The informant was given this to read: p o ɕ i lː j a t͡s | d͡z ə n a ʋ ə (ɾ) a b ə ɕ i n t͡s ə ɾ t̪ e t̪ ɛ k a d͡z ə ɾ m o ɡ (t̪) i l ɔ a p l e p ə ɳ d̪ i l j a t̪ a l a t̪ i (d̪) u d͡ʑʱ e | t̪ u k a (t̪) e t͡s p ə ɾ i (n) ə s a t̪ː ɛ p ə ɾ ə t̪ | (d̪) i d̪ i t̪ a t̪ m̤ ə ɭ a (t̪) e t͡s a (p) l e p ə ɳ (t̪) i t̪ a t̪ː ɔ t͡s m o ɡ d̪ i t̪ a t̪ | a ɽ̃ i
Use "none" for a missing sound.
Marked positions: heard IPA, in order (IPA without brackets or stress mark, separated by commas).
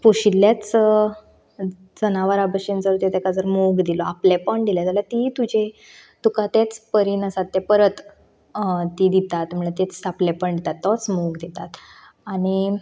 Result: ɾ, d̪, t̪, t̪, n, t̪, t̪, p, d̪